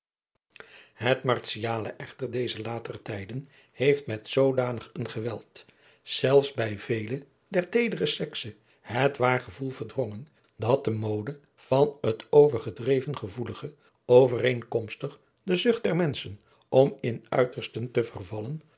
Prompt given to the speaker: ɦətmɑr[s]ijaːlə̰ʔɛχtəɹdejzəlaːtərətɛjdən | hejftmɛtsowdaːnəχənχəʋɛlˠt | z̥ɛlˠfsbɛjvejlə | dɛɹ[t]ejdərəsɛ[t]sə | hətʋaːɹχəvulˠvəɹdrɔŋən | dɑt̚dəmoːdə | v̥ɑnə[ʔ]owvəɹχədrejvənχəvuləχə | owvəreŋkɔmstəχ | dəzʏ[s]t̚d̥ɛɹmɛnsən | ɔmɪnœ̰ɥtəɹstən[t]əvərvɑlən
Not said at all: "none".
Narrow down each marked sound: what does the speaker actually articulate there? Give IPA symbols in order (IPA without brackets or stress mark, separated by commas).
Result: s, t, k, t, χ, t